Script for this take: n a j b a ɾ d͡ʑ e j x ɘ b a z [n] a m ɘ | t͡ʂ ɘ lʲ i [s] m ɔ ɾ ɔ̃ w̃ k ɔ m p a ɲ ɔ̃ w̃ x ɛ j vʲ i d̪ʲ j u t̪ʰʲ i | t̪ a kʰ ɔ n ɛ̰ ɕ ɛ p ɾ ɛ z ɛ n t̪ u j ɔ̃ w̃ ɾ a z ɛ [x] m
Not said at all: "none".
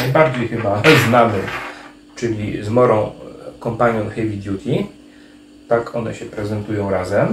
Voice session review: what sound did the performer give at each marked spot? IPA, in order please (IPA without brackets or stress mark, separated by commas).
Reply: n, z, none